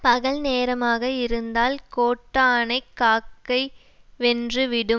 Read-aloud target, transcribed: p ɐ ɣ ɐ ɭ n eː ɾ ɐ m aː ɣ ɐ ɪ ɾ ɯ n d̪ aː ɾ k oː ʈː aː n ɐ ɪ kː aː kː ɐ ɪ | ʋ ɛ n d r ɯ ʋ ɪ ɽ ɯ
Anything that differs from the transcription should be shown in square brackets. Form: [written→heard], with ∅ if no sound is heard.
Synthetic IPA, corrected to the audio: p ɐ ɣ ɐ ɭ n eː ɾ ɐ m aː ɣ ɐ ɪ ɾ ɯ n d̪ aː [ɾ→l] k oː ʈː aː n ɐ ɪ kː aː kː ɐ ɪ | ʋ ɛ n d r ɯ ʋ ɪ ɽ ɯ